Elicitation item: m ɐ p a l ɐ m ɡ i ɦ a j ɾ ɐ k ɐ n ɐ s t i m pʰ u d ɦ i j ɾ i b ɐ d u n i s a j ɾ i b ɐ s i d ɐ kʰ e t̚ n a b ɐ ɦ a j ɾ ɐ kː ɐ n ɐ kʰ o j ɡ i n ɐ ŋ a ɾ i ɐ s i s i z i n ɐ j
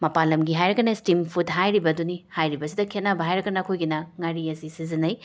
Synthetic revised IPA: m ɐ p a l ɐ m ɡ i ɦ a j ɾ ɐ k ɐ n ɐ s t i m pʰ u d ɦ a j ɾ i b ɐ d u n i h a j ɾ i b ɐ s i d ɐ kʰ e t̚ n a b ɐ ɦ a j ɾ ɐ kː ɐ n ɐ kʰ o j ɡ i n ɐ ŋ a ɾ i ɐ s i s i z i n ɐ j